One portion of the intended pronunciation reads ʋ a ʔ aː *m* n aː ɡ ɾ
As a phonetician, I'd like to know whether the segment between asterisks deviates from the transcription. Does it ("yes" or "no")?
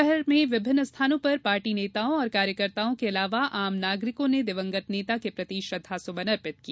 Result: no